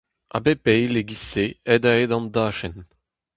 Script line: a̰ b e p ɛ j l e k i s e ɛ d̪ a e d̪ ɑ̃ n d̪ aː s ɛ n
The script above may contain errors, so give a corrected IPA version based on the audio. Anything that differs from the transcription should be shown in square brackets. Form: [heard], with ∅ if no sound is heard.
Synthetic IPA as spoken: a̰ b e p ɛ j l e [ɡ] i s e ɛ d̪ a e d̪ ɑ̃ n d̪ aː [ʃ] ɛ n